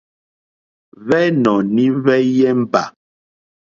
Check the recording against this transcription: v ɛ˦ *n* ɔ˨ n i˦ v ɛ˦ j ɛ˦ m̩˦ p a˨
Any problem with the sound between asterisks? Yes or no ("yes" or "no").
no